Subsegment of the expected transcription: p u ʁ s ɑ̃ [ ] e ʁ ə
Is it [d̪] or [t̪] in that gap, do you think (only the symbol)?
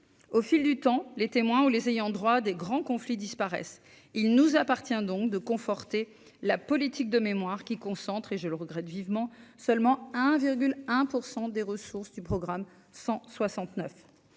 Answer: d̪